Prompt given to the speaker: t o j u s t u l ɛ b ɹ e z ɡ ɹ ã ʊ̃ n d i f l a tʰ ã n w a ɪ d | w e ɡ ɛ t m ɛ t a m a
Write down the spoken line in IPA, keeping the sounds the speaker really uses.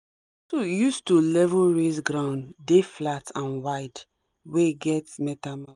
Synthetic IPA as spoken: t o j u s t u l ɛ v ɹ e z ɡ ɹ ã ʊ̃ n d e f l a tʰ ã n w a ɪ d | w e ɡ ɛ t m ɛ t a m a